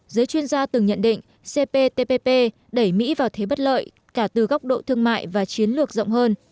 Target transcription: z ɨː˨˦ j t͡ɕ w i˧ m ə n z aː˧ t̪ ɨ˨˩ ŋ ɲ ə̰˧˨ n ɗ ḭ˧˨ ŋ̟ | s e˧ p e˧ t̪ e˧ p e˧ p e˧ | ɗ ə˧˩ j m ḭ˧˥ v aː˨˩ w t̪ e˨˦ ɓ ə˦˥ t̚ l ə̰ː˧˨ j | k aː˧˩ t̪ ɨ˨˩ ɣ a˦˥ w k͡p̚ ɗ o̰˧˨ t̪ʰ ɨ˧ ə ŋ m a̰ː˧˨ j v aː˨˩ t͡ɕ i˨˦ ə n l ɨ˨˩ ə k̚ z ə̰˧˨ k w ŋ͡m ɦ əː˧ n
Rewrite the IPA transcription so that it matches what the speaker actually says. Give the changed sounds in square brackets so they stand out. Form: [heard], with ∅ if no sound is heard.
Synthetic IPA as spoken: z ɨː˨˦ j t͡ɕ w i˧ [∅] ə n z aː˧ t̪ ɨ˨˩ ŋ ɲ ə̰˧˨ n ɗ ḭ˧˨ ŋ̟ | s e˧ p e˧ t̪ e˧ p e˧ p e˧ | ɗ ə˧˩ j m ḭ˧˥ v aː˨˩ w [t̪ʰ] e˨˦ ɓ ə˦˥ t̚ l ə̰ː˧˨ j | k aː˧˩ t̪ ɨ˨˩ ɣ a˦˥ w k͡p̚ ɗ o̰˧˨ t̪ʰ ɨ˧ ə ŋ m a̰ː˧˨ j v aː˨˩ t͡ɕ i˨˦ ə n l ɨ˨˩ ə k̚ z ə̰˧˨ [∅] w ŋ͡m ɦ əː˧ n